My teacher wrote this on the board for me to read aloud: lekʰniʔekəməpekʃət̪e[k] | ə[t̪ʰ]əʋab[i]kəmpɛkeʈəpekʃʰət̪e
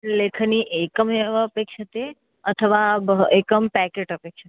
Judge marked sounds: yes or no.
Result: no, yes, no

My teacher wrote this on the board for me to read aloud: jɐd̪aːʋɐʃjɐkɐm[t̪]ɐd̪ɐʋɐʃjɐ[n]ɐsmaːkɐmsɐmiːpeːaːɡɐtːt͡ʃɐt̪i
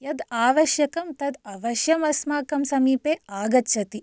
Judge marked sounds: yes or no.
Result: yes, no

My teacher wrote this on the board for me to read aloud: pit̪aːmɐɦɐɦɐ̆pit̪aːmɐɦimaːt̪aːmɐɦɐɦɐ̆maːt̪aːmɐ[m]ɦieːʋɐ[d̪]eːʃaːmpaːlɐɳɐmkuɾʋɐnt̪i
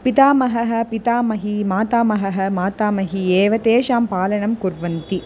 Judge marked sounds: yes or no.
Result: no, no

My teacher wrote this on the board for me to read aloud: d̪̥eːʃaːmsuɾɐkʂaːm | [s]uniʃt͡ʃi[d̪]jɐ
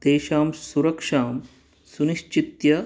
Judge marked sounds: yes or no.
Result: yes, no

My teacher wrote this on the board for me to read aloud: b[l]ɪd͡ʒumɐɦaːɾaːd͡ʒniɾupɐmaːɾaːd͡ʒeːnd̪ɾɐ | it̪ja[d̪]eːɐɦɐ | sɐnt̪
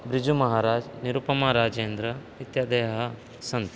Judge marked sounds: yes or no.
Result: no, yes

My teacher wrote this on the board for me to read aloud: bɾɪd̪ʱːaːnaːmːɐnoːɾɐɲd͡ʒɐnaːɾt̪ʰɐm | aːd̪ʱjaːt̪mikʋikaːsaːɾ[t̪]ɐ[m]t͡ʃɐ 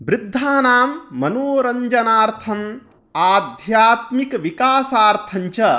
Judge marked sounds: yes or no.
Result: no, no

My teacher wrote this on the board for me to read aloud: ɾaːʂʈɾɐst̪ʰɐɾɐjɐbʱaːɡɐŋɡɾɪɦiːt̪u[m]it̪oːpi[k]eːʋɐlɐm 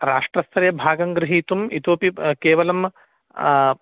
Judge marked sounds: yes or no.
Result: yes, yes

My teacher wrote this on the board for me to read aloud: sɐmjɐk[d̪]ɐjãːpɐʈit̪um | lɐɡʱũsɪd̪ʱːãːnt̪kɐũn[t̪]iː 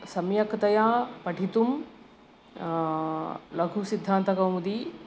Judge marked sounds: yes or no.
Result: no, no

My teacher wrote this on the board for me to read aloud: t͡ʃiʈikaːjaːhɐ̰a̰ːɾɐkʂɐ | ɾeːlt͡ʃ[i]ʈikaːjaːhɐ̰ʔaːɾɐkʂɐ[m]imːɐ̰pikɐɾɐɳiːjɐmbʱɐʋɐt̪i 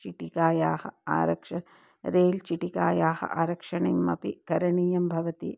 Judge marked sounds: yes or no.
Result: yes, no

